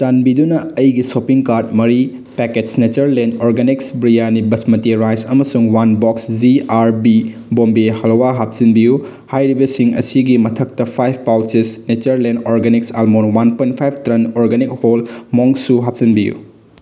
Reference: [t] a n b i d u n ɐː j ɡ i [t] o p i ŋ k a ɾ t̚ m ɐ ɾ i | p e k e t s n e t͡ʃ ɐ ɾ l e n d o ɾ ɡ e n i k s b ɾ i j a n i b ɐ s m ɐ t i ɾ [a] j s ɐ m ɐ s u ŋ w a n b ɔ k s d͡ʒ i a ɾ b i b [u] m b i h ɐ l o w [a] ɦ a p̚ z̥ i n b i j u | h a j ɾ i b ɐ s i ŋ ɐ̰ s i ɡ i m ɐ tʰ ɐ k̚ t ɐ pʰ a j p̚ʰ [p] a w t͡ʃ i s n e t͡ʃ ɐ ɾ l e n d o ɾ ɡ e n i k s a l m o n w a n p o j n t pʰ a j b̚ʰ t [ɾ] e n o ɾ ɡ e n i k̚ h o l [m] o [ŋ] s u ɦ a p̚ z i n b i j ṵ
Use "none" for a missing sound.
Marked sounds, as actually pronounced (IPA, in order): t, s, a, o, a, p, ɾ, m, ŋ

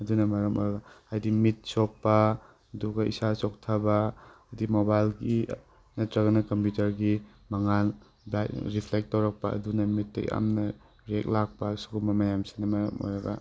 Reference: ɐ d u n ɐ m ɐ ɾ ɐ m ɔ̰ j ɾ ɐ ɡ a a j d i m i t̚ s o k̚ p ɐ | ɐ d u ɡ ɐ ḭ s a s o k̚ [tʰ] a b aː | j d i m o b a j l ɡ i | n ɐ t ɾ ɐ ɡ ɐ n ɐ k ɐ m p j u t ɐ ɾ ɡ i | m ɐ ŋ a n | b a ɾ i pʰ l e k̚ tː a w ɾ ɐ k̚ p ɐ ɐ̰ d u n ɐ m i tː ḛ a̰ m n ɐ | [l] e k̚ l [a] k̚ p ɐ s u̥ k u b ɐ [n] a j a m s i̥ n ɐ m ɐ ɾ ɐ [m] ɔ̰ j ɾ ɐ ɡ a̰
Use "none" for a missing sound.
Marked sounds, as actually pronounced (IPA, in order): tʰ, ɾ, a, m, m

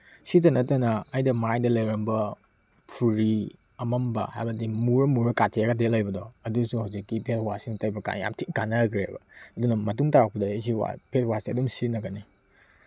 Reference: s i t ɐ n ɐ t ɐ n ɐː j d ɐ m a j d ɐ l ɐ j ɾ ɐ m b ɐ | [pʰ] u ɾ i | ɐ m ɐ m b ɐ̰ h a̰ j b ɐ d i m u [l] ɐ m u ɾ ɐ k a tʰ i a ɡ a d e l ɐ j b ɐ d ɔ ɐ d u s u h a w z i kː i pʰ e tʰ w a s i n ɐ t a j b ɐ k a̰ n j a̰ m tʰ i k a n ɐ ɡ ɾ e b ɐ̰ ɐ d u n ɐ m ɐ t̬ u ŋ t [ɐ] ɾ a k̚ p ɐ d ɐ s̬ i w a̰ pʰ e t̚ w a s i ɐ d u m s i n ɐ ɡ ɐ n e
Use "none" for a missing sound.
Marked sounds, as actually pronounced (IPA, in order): pʰ, ɾ, a

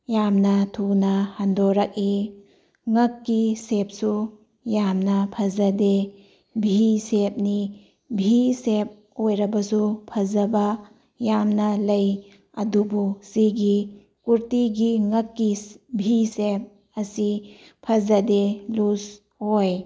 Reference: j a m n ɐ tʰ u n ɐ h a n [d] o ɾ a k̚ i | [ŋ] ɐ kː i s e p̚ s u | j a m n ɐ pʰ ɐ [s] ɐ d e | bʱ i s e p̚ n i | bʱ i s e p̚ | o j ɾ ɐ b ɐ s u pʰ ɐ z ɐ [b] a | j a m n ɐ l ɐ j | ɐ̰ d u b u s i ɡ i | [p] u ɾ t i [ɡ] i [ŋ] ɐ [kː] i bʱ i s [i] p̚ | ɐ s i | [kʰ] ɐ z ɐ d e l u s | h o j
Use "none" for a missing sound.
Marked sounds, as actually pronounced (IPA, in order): d, ŋ, z, b, k, ɡ, ŋ, kː, e, pʰ

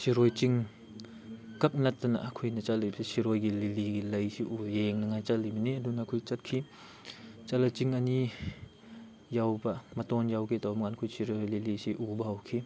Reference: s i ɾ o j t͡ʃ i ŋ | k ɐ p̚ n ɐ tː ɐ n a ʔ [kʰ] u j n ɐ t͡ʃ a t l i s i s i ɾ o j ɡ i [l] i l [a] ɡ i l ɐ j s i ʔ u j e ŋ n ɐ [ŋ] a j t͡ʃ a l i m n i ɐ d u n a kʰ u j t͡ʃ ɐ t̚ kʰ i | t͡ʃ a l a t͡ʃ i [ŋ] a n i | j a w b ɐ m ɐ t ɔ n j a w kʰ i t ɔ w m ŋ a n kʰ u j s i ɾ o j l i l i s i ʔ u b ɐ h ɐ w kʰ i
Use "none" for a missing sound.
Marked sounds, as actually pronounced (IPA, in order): kʰ, l, i, ŋ, ŋ

